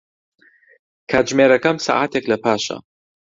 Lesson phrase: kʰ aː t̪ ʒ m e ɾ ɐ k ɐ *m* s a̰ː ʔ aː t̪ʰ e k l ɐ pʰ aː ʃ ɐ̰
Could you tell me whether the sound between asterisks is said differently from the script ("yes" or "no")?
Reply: no